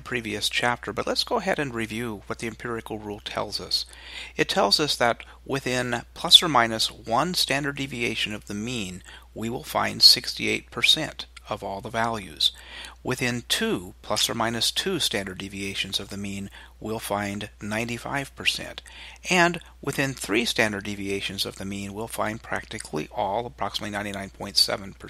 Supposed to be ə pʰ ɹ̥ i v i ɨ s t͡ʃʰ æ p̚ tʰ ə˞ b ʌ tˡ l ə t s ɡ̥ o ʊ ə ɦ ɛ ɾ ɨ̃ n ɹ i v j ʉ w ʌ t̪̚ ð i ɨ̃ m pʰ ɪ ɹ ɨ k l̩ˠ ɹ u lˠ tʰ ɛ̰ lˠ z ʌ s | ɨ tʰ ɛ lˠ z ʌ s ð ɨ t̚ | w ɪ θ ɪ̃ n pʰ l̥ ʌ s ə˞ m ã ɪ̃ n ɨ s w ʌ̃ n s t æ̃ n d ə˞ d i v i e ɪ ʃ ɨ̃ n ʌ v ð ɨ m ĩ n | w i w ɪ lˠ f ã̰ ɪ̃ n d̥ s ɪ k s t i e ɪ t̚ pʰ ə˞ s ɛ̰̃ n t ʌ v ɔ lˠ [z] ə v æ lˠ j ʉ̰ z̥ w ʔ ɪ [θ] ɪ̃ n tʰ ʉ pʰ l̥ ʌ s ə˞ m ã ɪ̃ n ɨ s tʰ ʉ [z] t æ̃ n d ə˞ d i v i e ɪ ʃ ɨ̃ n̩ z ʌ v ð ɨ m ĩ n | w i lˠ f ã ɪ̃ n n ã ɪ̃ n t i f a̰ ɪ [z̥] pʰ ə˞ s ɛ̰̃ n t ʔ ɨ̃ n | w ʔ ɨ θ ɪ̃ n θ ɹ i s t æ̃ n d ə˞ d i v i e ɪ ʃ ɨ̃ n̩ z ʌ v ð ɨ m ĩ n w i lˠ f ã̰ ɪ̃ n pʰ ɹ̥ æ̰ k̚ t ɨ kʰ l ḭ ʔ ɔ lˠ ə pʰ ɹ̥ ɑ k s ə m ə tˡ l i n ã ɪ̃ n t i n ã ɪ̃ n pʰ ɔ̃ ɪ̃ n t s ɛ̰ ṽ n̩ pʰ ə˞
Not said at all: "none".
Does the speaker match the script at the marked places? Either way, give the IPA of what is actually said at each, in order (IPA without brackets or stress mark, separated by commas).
ð, θ, s, v̥